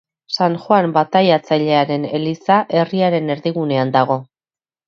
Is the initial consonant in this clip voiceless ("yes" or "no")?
yes